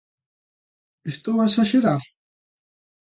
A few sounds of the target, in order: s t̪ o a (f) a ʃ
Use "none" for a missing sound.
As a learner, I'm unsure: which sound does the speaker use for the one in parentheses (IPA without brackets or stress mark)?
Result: s